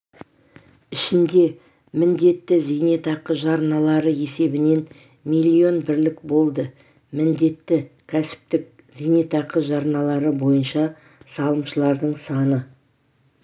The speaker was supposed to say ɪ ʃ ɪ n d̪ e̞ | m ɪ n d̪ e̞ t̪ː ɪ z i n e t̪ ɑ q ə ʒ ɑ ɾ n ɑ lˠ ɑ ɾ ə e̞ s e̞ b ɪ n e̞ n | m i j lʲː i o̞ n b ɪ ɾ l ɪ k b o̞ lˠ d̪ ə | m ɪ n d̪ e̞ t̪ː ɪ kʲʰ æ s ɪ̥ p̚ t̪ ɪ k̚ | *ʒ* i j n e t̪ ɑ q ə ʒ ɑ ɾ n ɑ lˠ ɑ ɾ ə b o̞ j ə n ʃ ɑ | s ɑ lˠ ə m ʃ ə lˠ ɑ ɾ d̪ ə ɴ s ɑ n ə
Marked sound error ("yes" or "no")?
yes